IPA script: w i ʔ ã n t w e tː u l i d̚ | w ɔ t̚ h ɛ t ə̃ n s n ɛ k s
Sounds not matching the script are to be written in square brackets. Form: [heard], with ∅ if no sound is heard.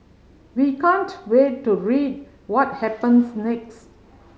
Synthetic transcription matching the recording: w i [k] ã n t w e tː u [ɹ] i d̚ | w ɔ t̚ h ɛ [p] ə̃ n s n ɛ k s